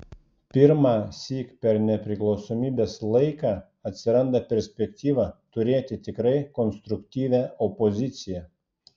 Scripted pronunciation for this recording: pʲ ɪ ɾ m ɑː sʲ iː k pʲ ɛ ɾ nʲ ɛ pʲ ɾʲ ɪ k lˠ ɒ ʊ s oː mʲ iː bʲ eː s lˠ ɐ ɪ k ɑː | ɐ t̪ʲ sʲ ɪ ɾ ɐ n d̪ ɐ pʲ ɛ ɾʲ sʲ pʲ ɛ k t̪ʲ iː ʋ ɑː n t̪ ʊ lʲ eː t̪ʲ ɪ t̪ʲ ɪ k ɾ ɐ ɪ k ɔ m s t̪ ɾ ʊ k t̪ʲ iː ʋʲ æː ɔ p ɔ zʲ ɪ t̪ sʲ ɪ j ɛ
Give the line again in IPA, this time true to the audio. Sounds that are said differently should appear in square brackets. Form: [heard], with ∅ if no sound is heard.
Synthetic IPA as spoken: pʲ ɪ ɾ m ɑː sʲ iː k pʲ ɛ ɾ nʲ ɛ pʲ ɾʲ ɪ k lˠ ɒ ʊ s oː mʲ iː bʲ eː s lˠ ɐ ɪ k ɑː | ɐ t̪ʲ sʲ ɪ ɾ ɐ n d̪ ɐ pʲ ɛ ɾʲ sʲ pʲ ɛ k t̪ʲ iː ʋ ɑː [∅] t̪ ʊ [ɾʲ] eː t̪ʲ ɪ t̪ʲ ɪ k ɾ ɐ ɪ k ɔ [n] s t̪ ɾ ʊ k t̪ʲ iː ʋʲ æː ɔ p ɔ zʲ ɪ t̪ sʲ ɪ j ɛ